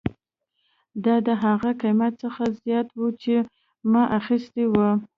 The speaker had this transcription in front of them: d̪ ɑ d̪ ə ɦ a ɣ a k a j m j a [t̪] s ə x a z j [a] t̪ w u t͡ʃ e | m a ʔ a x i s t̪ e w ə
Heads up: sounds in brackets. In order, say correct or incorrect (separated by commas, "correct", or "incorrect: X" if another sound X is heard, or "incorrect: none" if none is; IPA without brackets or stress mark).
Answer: correct, incorrect: ɑ